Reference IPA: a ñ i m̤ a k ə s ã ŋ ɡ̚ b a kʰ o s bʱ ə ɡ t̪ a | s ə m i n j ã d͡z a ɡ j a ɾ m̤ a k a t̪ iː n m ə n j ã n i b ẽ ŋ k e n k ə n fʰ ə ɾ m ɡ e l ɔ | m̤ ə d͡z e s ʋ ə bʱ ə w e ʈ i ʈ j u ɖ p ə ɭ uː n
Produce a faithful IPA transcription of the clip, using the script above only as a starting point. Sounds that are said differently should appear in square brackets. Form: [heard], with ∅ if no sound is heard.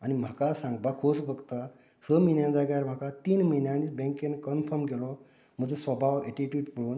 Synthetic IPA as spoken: a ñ i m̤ a k [a] s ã ŋ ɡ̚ b a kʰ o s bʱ ə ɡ t̪ a | s ə m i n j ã d͡z a ɡ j a ɾ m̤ a k a t̪ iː n m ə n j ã n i b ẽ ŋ k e n k ə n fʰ ə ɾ m ɡ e l ɔ | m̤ ə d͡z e s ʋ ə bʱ [a] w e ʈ i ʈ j u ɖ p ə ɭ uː n